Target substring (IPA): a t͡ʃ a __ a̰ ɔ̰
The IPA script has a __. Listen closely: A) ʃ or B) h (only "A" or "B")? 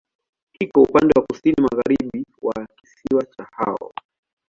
B